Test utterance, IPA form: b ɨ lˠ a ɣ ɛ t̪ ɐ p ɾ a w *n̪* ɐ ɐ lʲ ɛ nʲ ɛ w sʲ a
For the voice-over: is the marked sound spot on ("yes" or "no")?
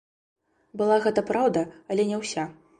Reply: no